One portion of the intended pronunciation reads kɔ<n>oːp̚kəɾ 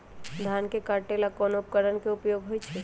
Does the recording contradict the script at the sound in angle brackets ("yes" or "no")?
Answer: no